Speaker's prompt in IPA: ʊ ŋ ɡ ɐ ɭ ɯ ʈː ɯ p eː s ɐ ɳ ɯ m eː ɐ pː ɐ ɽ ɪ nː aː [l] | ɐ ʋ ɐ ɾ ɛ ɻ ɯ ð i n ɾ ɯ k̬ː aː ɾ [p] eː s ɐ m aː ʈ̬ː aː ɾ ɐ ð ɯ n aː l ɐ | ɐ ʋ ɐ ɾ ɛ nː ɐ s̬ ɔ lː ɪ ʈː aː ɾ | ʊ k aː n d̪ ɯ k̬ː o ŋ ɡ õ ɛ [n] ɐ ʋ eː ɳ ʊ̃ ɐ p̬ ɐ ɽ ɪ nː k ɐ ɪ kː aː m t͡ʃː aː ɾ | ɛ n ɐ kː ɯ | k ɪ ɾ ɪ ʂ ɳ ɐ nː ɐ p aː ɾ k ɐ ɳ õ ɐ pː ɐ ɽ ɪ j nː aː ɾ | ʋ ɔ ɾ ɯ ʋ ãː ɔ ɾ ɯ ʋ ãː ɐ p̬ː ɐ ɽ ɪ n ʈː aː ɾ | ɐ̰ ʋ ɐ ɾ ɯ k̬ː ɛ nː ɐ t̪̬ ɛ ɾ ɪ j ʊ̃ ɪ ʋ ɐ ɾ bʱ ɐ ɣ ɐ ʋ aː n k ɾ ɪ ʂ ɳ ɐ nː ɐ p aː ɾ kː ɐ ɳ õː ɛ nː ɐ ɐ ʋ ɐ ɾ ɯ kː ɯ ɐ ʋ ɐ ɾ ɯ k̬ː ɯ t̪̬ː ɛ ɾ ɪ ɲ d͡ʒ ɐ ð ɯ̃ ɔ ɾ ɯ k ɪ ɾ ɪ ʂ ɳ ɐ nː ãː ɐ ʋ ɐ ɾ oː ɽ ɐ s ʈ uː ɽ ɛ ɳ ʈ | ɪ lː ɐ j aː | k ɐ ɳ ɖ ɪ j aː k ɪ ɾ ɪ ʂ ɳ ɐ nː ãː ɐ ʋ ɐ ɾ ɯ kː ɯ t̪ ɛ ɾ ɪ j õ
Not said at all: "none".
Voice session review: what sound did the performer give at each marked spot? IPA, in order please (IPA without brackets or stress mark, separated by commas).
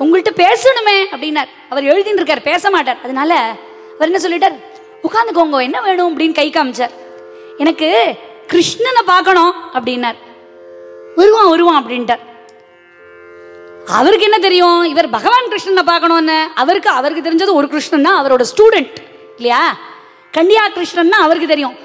ɾ, p, nː